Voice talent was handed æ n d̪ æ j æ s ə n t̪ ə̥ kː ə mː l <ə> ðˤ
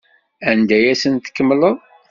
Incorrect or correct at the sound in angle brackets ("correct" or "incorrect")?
correct